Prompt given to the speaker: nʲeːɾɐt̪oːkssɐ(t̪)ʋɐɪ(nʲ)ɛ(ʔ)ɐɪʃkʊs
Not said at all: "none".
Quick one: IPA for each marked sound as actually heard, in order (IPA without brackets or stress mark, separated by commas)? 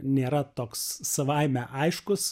none, mʲ, ʔ